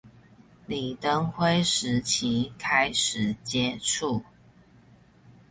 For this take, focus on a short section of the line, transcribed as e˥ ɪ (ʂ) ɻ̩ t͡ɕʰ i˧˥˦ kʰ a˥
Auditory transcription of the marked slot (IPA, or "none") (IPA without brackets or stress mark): ʂ